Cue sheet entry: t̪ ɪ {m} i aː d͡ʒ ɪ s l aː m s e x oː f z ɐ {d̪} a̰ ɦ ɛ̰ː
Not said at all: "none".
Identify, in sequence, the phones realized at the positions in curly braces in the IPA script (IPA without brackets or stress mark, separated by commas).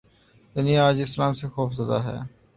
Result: n, d̪